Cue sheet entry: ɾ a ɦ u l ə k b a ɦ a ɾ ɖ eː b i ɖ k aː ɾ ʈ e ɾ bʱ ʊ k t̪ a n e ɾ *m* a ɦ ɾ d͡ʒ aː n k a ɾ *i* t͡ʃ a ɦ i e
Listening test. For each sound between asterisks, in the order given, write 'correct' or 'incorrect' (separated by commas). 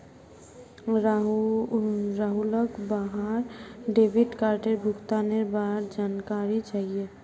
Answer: incorrect, correct